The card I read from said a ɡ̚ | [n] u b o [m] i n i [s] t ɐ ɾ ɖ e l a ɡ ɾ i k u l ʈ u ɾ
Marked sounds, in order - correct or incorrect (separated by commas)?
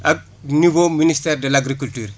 correct, correct, correct